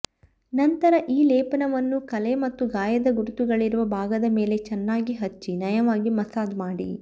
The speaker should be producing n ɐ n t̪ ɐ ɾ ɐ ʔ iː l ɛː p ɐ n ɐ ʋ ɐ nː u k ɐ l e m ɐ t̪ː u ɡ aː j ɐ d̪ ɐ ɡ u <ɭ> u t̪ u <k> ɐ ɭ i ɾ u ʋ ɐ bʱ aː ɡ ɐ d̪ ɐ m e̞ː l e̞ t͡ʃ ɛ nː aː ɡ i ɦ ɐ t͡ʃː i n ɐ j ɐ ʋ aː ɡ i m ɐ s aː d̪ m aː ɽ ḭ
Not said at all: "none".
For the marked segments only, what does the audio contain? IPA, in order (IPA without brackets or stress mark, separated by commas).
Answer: ɾ, ɡ